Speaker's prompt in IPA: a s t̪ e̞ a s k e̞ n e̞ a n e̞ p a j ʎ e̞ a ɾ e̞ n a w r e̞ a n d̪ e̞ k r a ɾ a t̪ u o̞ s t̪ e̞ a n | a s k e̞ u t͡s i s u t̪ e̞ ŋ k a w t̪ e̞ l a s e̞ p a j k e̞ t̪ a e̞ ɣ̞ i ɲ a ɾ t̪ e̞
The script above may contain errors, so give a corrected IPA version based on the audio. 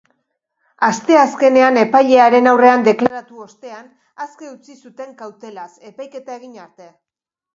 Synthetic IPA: a s t̪ e̞ a s k e̞ n e̞ a n e̞ p a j ʎ e̞ a ɾ e̞ n a w r e̞ a n d̪ e̞ k l a ɾ a t̪ u o̞ s t̪ e̞ a n | a s k e̞ u t͡s i s u t̪ e̞ ŋ k a w t̪ e̞ l a s e̞ p a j k e̞ t̪ a e̞ ɣ̞ i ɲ a ɾ t̪ e̞